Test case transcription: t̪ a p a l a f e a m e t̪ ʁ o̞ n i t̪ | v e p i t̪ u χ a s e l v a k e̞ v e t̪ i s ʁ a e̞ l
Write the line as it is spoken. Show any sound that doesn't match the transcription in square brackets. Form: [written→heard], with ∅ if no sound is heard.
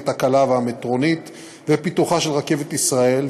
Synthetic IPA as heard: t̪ a [p→k] a l a [f→v] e a m e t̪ ʁ o̞ n i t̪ | v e p i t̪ u χ a [s→ʃ] e l [v→ʁ] a k e̞ v e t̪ i s ʁ a e̞ l